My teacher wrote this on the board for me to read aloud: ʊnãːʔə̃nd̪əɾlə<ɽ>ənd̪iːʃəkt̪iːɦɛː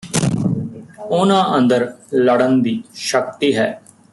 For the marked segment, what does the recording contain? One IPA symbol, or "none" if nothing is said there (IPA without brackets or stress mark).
ɽ